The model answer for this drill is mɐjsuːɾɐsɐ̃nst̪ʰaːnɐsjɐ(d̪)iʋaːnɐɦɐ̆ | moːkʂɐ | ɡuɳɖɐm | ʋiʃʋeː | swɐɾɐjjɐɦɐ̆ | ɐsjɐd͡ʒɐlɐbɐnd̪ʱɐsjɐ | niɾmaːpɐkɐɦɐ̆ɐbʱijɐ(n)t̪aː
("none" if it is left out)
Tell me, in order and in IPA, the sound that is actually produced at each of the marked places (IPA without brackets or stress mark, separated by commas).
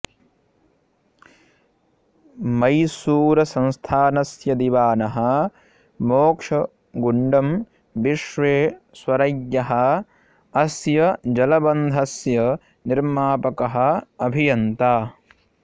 d̪, n